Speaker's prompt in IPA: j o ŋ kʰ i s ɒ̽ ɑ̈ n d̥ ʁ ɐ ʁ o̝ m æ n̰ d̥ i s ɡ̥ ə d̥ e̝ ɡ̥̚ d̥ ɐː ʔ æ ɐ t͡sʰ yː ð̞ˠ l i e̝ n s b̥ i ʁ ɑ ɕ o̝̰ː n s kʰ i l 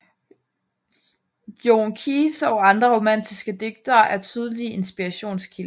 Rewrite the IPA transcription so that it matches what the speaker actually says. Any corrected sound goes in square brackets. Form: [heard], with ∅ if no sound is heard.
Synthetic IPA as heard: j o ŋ kʰ i s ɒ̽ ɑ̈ n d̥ ʁ ɐ ʁ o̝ m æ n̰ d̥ i s ɡ̥ ə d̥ e̝ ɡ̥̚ d̥ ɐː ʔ æ ɐ t͡sʰ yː ð̞ˠ l i e̝ n s b̥ i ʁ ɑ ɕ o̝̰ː n s kʰ i l